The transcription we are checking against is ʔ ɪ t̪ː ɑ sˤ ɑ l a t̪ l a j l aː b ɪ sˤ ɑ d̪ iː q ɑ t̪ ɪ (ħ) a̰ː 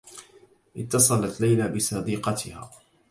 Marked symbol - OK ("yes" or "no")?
no